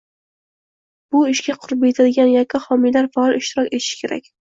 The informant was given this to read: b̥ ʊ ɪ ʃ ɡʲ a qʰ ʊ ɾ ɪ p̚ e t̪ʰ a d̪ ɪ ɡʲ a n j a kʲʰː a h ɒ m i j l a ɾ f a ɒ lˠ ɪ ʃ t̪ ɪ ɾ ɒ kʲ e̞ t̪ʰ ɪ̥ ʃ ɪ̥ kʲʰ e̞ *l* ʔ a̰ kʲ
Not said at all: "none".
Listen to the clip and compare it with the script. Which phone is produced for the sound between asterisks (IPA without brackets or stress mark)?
ɾ